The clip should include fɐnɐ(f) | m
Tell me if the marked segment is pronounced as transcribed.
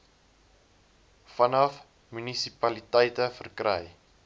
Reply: yes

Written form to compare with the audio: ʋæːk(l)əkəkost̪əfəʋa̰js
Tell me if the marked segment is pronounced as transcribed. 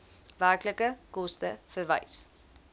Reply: yes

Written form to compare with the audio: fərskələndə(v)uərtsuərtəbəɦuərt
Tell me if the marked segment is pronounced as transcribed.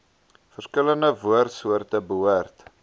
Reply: yes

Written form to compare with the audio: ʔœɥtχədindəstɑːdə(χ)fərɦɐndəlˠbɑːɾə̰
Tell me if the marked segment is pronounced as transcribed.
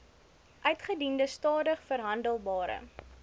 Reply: yes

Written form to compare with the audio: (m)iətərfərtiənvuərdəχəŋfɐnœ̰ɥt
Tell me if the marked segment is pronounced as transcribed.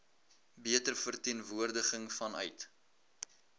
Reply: no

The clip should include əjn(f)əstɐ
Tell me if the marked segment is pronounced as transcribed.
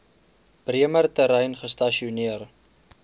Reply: no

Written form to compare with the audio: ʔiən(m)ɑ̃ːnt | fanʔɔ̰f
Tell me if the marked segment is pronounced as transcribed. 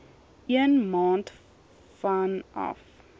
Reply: yes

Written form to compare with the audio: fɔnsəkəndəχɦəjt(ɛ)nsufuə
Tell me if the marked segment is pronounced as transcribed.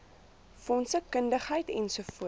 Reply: yes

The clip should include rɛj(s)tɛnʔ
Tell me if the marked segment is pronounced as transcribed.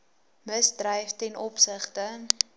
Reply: no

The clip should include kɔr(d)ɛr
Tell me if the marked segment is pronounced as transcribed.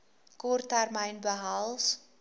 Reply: no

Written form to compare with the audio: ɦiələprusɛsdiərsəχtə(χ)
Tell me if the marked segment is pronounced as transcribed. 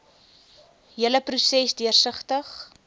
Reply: yes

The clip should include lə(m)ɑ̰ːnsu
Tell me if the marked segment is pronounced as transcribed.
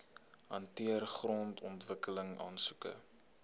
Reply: no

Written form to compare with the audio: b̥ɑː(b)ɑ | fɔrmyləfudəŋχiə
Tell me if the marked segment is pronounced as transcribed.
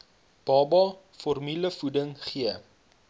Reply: yes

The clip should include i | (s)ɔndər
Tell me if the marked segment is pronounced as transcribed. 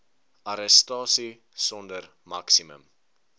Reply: yes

